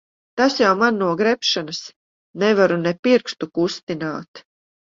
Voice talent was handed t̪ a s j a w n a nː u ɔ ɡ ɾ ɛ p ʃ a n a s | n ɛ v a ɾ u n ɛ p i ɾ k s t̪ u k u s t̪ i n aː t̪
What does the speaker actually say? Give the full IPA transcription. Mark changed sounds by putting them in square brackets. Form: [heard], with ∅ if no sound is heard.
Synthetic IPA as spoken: t̪ a s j a w [m] a nː u ɔ ɡ ɾ ɛ p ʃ a n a s | n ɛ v a ɾ u n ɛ p i ɾ k s t̪ u k u s t̪ i n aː t̪